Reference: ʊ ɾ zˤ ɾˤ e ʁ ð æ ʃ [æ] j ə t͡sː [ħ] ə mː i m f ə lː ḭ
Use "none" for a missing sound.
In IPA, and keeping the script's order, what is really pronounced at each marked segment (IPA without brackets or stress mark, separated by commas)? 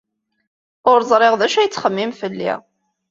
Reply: æ, χ